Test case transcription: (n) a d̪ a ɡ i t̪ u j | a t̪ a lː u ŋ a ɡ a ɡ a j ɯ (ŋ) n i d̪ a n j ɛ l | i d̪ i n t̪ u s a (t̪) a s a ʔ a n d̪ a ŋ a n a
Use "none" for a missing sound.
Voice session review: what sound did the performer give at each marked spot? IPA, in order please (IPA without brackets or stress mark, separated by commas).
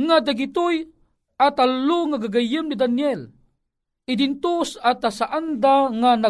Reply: ŋ, m, t̪